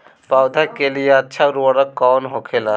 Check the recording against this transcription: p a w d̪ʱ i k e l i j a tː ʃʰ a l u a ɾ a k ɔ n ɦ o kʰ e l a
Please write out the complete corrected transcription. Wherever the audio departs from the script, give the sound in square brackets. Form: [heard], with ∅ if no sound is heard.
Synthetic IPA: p a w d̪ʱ [a] k e l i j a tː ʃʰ a [ɾ] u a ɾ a k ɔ n ɦ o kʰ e l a